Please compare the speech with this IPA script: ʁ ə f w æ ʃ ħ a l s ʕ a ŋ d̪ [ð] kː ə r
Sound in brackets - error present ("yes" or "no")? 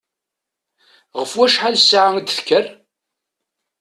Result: yes